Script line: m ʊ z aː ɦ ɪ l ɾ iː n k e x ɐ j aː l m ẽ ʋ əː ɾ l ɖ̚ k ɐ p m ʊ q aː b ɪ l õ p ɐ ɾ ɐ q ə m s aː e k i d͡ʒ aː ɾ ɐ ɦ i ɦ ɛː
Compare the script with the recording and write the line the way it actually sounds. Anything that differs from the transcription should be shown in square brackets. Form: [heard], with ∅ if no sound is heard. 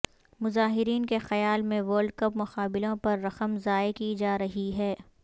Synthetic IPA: m ʊ z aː ɦ ɪ [∅] ɾ iː n k e x ɐ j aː l m ẽ ʋ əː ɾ l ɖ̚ k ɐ p m ʊ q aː b ɪ l õ p ɐ [ɾː] ɐ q ə m [z] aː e k i d͡ʒ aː ɾ ɐ ɦ i ɦ ɛː